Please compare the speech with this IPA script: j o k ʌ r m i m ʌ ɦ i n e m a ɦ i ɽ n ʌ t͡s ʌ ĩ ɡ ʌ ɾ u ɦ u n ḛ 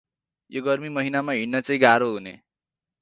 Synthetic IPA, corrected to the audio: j o ɡ ʌ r m i m ʌ ɦ i n a m a ɦ i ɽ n ʌ t͡s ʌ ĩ ɡ a ɾ o ɦ u n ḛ